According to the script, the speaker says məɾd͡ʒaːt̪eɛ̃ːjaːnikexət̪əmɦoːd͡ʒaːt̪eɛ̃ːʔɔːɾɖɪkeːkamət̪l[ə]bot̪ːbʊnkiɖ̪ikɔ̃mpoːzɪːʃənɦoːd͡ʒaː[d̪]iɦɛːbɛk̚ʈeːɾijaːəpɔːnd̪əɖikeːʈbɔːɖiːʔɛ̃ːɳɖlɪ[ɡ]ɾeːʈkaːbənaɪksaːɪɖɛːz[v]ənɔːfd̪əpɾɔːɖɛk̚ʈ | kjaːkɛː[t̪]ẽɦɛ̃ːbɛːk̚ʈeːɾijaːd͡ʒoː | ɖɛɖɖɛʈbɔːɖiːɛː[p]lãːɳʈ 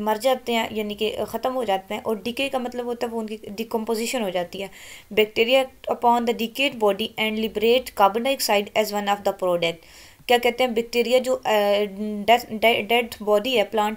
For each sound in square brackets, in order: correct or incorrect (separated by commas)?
correct, incorrect, incorrect, incorrect, correct, correct